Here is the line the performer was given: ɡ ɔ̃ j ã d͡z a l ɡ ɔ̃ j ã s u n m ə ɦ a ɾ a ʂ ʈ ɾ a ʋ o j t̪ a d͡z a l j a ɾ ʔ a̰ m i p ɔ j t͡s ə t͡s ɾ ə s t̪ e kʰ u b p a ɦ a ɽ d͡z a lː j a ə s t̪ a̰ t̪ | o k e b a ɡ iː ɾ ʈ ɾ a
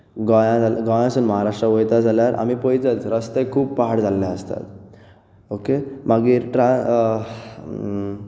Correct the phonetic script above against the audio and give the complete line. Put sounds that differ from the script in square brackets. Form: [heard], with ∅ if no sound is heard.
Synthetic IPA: ɡ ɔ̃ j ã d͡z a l ɡ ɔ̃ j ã s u n m ə ɦ a ɾ a ʂ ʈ ɾ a ʋ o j t̪ a d͡z a l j a ɾ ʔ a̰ m i p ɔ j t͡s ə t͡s ɾ ə s t̪ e kʰ [uː] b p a ɦ a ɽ d͡z a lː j a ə s t̪ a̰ t̪ | o k e [m] a ɡ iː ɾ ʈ ɾ a

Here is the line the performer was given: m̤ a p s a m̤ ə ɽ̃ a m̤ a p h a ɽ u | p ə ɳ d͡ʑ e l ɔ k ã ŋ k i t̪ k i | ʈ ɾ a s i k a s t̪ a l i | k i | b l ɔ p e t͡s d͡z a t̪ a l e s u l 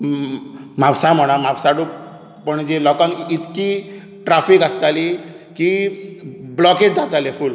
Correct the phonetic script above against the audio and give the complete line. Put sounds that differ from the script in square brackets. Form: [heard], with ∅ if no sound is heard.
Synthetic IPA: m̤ a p s a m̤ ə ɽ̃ a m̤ a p [s] a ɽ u | p ə ɳ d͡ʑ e l ɔ k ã ŋ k i t̪ k i | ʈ ɾ a [f] i k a s t̪ a l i | k i | b l ɔ [k] e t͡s d͡z a t̪ a l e [f] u l

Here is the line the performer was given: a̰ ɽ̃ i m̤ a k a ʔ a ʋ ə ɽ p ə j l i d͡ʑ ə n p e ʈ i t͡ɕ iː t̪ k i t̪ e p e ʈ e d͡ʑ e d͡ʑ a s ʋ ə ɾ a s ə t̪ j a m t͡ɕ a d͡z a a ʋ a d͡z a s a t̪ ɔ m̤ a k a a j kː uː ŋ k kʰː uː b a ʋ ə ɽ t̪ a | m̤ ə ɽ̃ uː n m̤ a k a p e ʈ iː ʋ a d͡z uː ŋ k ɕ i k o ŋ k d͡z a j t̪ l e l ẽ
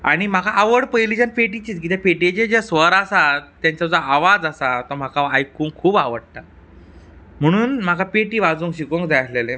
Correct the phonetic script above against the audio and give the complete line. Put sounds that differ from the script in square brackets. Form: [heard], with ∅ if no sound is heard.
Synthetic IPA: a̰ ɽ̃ i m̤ a k a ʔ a ʋ ə ɽ p ə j l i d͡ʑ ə n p e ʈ i t͡ɕ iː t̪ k i t̪ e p e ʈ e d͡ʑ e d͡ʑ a s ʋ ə ɾ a s [a] t̪ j a [ɲ] t͡ɕ a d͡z a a ʋ a d͡z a s a t̪ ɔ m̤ a k a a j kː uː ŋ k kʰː uː b a ʋ ə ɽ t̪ a | m̤ ə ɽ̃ uː n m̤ a k a p e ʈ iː ʋ a d͡z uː ŋ k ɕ i k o ŋ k d͡z a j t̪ l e l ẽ

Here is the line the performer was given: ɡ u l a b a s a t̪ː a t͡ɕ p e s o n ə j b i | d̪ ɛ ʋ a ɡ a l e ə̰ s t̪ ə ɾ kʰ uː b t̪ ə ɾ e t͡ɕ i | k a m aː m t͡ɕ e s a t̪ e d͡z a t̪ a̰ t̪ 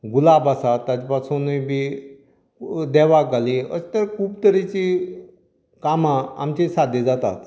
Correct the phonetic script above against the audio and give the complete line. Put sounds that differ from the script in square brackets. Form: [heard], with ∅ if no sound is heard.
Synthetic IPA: ɡ u l a b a s a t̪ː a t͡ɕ p [a] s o n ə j b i | d̪ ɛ ʋ a ɡ a l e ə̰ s t̪ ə ɾ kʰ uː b t̪ ə ɾ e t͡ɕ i | k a m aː m t͡ɕ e s a [d̪] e d͡z a t̪ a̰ t̪

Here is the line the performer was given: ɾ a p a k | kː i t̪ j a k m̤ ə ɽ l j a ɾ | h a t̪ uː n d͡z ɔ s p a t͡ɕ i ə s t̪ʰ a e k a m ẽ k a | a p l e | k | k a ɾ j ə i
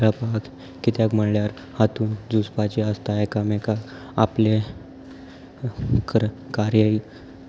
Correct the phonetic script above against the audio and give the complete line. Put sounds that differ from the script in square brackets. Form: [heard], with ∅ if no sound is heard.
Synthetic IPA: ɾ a p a k | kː i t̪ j a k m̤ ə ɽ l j a ɾ | h a t̪ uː n d͡z [u] s p a t͡ɕ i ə s [t̪] a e k a m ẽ k a | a p l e | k | k a ɾ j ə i

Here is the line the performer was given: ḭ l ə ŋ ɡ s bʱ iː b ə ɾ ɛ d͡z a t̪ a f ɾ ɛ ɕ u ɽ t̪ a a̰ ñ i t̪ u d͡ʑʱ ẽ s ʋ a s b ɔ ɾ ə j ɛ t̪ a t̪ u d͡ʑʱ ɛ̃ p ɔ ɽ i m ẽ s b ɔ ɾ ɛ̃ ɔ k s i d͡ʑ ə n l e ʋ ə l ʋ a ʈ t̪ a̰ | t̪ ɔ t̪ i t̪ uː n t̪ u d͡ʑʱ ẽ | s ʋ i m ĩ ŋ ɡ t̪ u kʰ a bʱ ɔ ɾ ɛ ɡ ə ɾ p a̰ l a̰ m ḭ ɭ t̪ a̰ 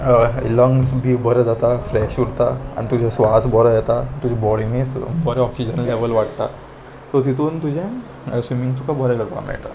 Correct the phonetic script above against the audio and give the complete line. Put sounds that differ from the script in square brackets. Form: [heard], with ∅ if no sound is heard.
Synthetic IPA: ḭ l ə ŋ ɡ s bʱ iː b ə ɾ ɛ d͡z a t̪ a f ɾ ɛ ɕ u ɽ t̪ a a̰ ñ i t̪ u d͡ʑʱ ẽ s ʋ a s b ɔ ɾ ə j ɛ t̪ a t̪ u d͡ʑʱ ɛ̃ [b] ɔ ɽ i m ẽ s b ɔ ɾ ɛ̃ ɔ k s i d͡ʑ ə n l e ʋ ə l ʋ a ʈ t̪ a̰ | t̪ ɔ t̪ i t̪ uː n t̪ u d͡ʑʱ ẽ | s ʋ i m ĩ ŋ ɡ t̪ u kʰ a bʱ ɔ ɾ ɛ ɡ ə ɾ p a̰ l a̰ m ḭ ɭ t̪ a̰

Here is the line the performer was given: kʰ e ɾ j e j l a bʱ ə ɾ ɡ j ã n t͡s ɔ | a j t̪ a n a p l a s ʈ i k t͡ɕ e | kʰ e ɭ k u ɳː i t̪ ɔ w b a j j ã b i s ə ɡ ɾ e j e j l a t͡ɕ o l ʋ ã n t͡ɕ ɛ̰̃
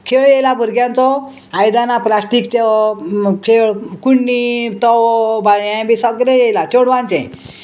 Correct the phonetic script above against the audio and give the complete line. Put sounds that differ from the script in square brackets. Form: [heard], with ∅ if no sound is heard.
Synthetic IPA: kʰ e [ɭ] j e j l a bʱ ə ɾ ɡ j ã n t͡s ɔ | a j [d̪] a n a p l a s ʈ i k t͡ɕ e | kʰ e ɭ k u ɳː i t̪ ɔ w b a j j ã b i s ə ɡ ɾ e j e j l a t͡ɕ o [ɽ] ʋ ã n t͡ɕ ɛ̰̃

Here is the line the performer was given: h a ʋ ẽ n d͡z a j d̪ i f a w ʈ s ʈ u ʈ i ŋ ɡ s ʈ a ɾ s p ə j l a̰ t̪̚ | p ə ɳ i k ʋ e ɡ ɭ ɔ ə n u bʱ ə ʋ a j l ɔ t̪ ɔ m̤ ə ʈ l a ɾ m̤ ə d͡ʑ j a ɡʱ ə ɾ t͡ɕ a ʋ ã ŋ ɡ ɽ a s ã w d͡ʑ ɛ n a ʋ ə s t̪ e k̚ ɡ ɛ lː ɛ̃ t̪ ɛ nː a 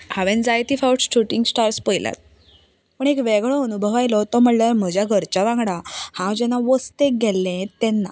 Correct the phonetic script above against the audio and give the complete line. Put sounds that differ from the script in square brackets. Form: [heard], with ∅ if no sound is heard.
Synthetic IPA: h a ʋ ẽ n d͡z a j [t̪] i f a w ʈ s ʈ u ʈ i ŋ ɡ s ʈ a ɾ s p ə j l a̰ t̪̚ | p ə ɳ [e] k ʋ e ɡ ɭ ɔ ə n u bʱ ə ʋ a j l ɔ t̪ ɔ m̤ ə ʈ l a ɾ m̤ ə d͡ʑ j a ɡʱ ə ɾ t͡ɕ a ʋ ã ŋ ɡ ɽ a [h] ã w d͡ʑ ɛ n a ʋ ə s t̪ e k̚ ɡ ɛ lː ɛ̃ t̪ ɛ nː a

